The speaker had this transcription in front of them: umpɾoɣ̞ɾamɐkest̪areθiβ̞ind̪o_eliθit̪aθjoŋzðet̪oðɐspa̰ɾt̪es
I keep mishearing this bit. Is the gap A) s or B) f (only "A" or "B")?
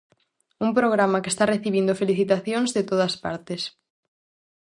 B